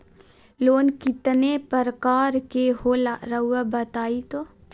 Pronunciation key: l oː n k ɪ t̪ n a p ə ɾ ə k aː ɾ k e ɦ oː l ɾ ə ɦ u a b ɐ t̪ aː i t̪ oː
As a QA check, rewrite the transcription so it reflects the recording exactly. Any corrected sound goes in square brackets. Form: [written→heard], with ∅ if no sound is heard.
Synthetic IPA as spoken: l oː n k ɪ t̪ n [a→e] p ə ɾ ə k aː ɾ k e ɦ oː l ɾ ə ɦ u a b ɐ t̪ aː i t̪ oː

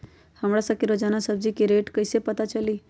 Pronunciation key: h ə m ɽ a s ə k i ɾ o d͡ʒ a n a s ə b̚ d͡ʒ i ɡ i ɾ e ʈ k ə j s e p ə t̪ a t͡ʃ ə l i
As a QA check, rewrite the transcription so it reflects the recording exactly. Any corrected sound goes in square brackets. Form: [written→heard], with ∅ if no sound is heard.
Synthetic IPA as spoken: h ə m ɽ a s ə k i ɾ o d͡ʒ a n a s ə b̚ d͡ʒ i [ɡ→k] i ɾ e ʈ k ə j s e p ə t̪ a t͡ʃ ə l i

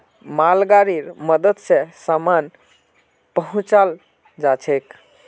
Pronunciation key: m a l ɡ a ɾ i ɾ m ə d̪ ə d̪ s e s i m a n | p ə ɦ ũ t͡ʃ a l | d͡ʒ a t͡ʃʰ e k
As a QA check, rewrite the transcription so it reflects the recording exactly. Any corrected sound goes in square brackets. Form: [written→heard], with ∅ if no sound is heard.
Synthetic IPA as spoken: m a l ɡ a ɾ i ɾ m ə d̪ ə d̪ s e s [i→a] m a n | p ə ɦ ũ t͡ʃ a l | d͡ʒ a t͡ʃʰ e k

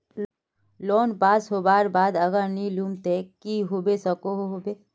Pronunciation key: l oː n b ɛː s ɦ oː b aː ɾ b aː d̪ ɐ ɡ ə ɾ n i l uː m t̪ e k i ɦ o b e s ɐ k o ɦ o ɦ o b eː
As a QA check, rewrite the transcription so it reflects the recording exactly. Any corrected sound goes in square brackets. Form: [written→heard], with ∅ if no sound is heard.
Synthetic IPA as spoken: l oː n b [ɛː→aː] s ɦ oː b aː ɾ b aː d̪ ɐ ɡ ə ɾ n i l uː m t̪ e k i ɦ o b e s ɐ k o ɦ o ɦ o b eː

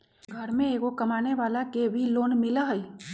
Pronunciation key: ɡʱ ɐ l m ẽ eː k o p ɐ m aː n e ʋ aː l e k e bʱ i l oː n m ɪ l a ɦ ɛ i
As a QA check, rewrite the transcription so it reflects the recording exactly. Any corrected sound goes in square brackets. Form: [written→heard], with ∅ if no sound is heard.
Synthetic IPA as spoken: ɡʱ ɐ [l→ɾ] m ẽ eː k o [p→k] ɐ m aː n e ʋ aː l [e→a] k e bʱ i l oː n m ɪ l a ɦ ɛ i

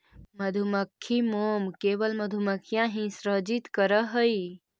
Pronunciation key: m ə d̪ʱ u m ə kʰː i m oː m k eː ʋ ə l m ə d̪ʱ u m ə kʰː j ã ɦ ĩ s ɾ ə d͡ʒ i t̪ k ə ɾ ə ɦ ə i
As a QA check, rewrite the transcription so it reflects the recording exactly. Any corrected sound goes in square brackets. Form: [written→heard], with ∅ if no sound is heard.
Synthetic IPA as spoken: m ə d̪ʱ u m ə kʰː i m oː m k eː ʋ ə l m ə d̪ʱ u m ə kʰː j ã ɦ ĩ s ɾ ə d͡ʒ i t̪ k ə ɾ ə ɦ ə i

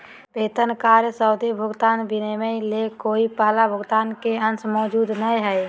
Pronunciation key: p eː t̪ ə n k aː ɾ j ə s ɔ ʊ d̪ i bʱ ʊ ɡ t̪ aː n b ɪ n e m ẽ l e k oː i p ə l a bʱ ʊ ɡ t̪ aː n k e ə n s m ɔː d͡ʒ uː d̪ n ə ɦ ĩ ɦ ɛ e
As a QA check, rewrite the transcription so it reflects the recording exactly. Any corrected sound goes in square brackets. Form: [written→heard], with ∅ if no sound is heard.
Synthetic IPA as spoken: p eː t̪ ə n k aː ɾ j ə s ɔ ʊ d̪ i bʱ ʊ ɡ t̪ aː n b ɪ n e m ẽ l e k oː i p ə l a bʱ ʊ ɡ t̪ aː n k e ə n s m ɔː d͡ʒ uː d̪ n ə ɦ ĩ ɦ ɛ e

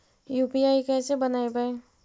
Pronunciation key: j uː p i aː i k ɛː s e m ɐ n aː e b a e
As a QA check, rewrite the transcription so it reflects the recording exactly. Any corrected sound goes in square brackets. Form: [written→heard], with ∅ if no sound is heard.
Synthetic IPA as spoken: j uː p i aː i k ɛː s e [m→b] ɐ n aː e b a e

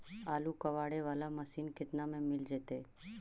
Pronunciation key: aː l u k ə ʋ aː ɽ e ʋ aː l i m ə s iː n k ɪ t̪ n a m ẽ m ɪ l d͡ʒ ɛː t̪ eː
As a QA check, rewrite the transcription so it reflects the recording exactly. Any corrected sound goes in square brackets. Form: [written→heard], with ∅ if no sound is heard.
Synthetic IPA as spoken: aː l u k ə ʋ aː ɽ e ʋ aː l [i→a] m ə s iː n k ɪ t̪ n a m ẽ m ɪ l d͡ʒ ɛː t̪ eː

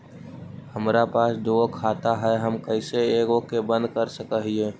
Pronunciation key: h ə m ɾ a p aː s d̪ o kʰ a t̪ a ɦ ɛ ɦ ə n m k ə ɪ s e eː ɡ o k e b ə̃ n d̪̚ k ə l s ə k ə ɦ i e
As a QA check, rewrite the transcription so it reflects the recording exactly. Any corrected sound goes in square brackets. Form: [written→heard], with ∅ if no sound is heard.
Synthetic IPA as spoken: h ə m ɾ a p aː s d̪ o kʰ a t̪ a ɦ ɛ ɦ ə [n→∅] m k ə ɪ s e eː ɡ o k e b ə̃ n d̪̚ k ə [l→ɾ] s ə k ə ɦ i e

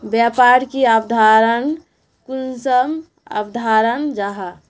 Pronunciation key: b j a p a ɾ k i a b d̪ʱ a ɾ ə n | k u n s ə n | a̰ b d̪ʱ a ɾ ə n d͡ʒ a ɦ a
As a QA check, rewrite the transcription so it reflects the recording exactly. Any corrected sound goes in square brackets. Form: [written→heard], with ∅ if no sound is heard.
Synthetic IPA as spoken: b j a p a ɾ k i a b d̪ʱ a ɾ ə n | k u n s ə [n→m] | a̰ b d̪ʱ a ɾ ə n d͡ʒ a ɦ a

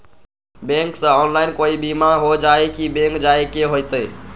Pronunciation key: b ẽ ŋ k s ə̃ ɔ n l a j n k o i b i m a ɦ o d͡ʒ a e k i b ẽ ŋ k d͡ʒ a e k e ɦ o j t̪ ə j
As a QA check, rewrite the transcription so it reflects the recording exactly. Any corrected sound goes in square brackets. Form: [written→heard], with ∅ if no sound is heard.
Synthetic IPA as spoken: b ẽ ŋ k s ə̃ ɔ n l a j n k o i b i m a ɦ o d͡ʒ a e k i b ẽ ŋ k d͡ʒ a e k e ɦ o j t̪ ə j

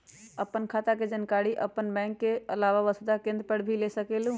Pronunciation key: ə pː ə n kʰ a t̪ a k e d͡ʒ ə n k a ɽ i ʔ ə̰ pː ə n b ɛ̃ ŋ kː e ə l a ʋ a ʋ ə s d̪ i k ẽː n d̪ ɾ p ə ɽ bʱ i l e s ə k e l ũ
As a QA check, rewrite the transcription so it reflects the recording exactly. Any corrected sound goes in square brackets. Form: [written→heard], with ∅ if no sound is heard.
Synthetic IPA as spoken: ə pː ə n kʰ a t̪ a k e d͡ʒ ə n k a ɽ i ʔ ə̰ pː ə n b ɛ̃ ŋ kː e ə l a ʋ a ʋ ə s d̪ [i→a] k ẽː n d̪ ɾ p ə ɽ bʱ i l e s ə k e l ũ

